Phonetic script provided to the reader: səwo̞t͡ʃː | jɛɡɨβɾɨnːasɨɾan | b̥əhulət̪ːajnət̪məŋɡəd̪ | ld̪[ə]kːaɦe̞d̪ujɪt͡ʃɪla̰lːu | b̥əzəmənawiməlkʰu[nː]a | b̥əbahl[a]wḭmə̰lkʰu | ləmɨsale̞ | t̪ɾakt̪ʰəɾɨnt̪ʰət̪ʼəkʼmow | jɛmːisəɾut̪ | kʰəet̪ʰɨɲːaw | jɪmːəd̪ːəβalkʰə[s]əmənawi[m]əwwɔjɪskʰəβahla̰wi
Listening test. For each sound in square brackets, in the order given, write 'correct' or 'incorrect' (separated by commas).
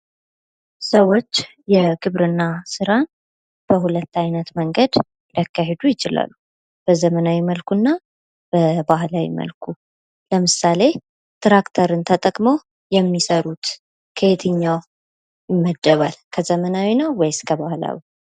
incorrect, correct, correct, incorrect, incorrect